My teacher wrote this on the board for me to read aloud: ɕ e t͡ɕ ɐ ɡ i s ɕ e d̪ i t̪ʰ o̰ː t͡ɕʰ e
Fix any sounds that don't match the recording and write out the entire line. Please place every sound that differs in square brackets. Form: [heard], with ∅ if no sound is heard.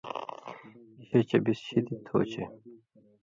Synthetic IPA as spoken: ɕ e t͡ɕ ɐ [b] i s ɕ [i] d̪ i t̪ʰ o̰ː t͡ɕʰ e